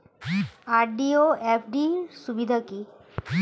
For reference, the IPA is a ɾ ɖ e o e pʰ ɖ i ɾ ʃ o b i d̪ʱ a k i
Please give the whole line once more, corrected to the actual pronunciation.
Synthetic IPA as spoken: a ɾ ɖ i o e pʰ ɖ i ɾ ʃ u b i d̪ʱ a k i